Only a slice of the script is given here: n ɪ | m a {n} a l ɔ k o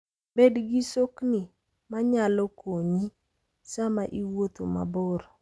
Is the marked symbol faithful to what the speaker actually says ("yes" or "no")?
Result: no